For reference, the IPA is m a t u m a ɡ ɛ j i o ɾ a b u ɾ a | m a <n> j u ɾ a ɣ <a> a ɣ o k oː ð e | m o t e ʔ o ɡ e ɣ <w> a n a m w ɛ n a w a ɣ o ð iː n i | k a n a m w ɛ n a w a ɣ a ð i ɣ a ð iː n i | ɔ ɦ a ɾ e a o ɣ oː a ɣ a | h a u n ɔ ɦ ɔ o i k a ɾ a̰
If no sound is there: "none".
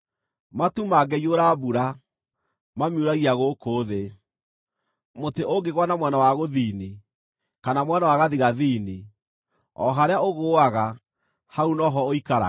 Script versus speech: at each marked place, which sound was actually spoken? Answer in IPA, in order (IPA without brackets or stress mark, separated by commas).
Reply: m, i, w